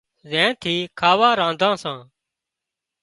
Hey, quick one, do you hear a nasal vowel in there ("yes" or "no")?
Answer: yes